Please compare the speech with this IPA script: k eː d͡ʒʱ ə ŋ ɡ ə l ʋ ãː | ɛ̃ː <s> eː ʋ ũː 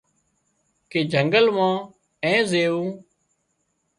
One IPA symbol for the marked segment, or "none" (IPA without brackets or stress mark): z